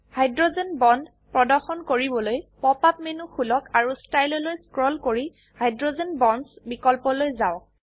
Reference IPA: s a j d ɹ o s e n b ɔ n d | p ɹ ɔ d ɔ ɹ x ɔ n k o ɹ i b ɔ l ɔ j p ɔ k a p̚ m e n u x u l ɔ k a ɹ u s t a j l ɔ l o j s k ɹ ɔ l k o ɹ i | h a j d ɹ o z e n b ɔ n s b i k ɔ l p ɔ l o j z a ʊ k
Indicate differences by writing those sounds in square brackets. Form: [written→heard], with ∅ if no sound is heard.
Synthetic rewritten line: [s→h] a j d ɹ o [s→z] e n b ɔ n d | p ɹ ɔ d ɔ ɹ x ɔ n k o ɹ i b ɔ l [ɔ→o] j p ɔ [k→p] a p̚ m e n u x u l ɔ k a ɹ u s t a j l ɔ l o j s k ɹ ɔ l k o ɹ i | h a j d ɹ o z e n b ɔ n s b i k ɔ l p ɔ l o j z a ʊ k